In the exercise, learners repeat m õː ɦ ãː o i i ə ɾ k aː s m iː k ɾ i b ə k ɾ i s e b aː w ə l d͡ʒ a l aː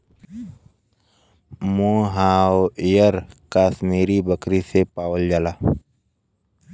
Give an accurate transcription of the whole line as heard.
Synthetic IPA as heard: m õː ɦ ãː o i j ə ɾ k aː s m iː ɾ i b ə k ɾ i s e p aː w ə l d͡ʒ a l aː